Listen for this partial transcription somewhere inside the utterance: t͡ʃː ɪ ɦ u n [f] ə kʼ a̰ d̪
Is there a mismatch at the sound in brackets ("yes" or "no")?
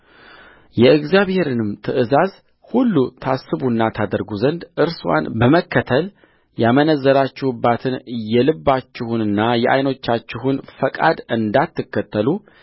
no